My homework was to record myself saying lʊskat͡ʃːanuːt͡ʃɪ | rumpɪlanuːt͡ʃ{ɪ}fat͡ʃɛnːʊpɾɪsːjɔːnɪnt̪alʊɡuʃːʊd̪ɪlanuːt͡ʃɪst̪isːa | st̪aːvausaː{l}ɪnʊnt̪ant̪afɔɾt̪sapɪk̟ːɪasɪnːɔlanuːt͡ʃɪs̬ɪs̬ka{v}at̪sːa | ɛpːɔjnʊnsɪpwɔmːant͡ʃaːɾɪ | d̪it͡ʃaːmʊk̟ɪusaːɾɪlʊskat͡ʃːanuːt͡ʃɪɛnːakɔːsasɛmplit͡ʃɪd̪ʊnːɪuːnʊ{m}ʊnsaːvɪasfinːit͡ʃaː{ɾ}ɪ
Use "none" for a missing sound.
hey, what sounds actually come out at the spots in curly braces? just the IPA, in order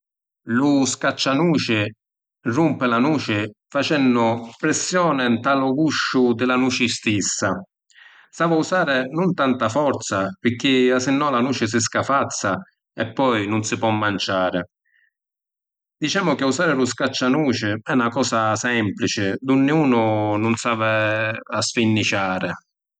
ɪ, ɾ, f, n, ɾ

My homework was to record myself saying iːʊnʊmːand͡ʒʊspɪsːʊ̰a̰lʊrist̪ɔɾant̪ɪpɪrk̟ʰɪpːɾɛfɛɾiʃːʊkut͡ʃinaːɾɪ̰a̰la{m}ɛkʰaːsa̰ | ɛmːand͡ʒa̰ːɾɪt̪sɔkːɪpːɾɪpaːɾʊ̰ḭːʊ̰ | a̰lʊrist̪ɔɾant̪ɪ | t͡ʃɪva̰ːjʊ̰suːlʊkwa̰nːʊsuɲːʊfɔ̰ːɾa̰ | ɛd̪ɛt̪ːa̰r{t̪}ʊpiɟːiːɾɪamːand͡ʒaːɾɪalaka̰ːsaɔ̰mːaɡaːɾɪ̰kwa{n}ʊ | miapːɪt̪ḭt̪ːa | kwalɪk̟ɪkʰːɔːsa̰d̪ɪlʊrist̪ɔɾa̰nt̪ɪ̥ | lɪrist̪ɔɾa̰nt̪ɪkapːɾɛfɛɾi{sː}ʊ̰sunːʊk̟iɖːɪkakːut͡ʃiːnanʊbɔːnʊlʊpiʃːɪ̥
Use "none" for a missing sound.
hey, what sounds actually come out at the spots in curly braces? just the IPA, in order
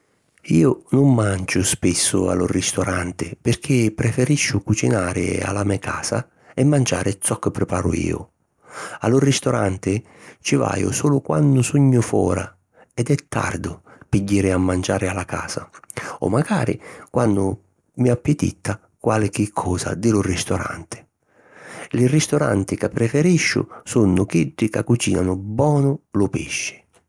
m, d̪, nː, ʃː

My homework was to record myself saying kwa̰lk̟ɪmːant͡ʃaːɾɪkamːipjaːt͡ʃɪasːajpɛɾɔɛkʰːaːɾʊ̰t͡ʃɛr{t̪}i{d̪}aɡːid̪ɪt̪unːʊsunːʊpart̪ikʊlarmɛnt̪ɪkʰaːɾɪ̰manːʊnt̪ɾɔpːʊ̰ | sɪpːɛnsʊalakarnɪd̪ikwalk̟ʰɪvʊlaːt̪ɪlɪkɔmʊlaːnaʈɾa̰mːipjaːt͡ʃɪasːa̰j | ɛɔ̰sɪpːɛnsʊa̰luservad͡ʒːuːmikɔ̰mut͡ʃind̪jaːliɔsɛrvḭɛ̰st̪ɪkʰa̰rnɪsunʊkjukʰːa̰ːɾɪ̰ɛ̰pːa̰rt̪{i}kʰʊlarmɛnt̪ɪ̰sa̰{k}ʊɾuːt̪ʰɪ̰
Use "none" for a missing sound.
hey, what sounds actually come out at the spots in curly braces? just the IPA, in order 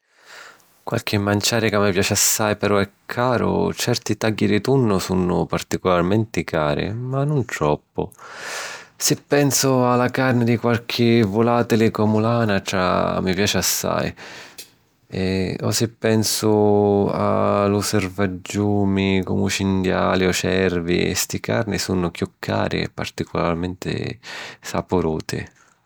t̪, t̪, i, p

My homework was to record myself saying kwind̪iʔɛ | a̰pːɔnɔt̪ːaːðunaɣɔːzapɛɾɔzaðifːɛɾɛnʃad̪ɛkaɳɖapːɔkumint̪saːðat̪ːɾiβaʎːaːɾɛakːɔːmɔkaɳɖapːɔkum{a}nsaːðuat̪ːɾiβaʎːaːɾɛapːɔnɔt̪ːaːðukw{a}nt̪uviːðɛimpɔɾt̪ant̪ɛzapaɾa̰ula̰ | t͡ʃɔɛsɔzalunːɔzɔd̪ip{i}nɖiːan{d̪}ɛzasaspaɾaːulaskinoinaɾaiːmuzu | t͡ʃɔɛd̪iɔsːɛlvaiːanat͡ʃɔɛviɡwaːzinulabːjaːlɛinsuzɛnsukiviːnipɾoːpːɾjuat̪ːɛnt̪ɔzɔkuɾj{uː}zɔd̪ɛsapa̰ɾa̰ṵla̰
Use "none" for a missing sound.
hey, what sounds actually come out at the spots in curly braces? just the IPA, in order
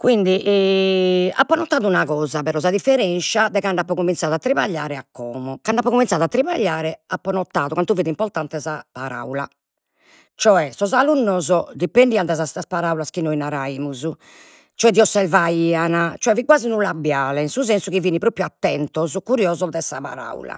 i, a, e, d̪, ɔː

